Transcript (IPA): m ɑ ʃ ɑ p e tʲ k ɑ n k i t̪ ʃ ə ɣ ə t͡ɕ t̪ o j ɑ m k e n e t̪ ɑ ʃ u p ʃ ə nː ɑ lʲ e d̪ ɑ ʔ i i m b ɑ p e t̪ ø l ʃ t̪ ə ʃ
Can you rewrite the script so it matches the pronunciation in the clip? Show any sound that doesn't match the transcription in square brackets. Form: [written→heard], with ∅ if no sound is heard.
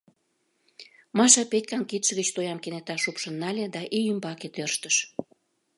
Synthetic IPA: m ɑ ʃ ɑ p e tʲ k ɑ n k i t̪ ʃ ə ɣ ə t͡ɕ t̪ o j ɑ m k e n e t̪ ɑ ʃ u p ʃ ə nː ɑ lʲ e d̪ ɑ ʔ i [i→y] m b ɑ [p→k] e t̪ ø [l→r] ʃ t̪ ə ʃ